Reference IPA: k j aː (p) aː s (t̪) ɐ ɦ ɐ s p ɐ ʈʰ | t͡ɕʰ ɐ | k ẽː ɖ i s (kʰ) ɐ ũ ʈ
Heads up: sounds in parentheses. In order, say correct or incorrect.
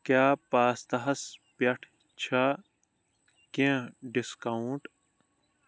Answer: correct, correct, incorrect

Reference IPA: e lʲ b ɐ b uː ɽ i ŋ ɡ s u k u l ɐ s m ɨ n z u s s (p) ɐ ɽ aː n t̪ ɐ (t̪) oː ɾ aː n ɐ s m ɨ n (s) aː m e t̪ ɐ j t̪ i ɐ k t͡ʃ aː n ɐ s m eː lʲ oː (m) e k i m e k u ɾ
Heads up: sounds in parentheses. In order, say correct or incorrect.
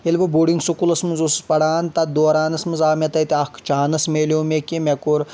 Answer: correct, incorrect, incorrect, correct

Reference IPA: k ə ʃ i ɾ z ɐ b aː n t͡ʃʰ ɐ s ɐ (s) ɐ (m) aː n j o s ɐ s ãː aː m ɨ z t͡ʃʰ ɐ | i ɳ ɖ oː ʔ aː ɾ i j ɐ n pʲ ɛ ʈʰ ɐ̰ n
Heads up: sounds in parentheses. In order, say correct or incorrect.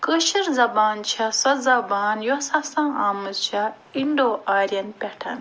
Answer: incorrect, incorrect

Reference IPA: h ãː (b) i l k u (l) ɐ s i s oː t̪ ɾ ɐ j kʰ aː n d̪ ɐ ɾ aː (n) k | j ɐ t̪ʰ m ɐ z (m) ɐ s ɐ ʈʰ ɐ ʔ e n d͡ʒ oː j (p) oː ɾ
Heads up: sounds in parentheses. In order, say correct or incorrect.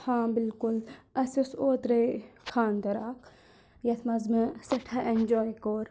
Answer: correct, correct, incorrect, correct, incorrect

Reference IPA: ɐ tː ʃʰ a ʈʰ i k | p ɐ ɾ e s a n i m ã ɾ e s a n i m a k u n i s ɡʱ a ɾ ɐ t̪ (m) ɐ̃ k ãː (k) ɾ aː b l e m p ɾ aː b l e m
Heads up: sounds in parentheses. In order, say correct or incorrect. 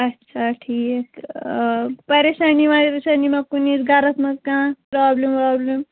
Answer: correct, incorrect

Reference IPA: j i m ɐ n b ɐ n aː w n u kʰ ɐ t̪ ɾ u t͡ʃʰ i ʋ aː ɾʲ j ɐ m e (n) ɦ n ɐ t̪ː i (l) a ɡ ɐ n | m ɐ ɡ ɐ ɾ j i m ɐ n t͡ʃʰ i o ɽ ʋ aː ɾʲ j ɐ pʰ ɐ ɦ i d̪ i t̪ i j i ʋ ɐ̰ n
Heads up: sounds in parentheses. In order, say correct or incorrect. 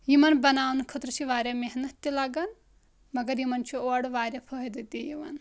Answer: incorrect, correct

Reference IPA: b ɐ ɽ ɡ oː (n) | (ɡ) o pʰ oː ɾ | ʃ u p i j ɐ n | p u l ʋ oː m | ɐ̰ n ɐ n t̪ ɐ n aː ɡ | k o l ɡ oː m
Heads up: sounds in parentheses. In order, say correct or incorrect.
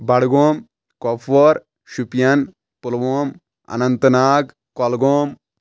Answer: incorrect, incorrect

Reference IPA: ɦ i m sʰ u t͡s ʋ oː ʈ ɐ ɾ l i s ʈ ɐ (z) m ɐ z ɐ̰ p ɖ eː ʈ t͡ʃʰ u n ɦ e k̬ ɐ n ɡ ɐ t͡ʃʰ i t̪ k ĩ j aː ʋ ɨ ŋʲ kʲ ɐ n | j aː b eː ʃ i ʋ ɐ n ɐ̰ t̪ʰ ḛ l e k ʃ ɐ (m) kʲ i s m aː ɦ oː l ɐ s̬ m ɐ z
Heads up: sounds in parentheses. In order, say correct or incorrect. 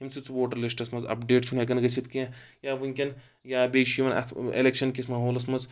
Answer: incorrect, incorrect

